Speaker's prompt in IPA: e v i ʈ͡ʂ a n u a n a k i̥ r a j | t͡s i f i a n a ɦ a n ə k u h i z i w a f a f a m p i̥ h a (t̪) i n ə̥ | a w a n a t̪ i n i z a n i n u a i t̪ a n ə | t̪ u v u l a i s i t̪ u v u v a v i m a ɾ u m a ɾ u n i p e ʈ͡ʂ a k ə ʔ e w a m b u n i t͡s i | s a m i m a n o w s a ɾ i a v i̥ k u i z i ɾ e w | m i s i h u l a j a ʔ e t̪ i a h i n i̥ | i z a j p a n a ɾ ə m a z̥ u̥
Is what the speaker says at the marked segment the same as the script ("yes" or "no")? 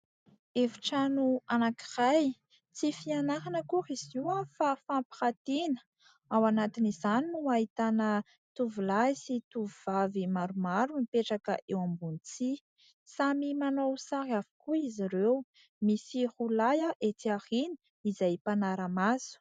yes